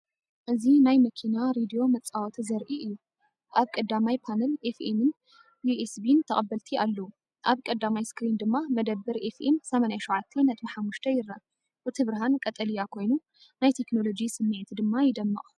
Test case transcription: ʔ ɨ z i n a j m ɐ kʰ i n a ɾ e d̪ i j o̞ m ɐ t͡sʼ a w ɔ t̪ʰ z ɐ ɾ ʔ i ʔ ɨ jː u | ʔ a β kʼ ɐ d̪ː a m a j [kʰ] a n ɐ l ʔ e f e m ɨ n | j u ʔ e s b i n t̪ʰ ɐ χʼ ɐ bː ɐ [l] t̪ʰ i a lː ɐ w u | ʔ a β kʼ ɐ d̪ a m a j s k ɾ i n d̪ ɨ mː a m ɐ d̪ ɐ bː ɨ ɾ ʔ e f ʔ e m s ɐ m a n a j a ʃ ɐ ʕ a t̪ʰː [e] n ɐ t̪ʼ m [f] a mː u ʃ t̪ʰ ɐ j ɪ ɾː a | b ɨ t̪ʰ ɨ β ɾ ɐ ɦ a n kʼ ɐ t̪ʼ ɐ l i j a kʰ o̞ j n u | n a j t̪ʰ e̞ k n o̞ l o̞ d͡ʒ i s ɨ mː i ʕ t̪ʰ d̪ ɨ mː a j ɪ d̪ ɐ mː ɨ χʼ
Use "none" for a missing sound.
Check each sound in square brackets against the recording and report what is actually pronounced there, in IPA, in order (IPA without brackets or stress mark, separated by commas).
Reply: pʰ, l, e, ħ